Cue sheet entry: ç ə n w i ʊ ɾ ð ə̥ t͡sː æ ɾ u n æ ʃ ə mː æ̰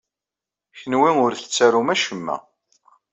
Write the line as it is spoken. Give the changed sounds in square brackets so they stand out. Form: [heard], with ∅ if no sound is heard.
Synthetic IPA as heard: ç ə n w i ʊ ɾ [θ] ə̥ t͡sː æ ɾ u [m] æ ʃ ə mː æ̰